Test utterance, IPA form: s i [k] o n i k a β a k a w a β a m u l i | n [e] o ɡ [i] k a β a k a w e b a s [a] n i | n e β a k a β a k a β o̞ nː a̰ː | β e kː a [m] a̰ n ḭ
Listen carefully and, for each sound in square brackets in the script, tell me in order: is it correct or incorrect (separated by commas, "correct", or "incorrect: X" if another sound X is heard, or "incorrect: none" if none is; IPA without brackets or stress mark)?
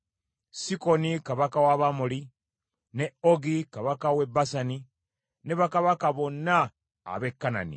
correct, correct, correct, correct, incorrect: n